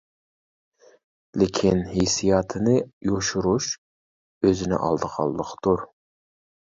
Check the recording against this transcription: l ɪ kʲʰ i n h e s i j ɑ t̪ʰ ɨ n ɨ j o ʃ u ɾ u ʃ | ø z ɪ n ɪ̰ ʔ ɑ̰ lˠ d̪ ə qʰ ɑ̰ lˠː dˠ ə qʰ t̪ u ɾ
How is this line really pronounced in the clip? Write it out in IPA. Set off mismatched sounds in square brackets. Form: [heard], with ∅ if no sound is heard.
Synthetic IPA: l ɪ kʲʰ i n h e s i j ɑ t̪ʰ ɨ n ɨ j o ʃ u ɾ u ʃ | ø z ɪ n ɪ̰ ʔ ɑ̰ lˠ d̪ ə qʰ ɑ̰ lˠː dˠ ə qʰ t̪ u ɾ